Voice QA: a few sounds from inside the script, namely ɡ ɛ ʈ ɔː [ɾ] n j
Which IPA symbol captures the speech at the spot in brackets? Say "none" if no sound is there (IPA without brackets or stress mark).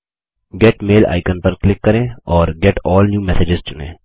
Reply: l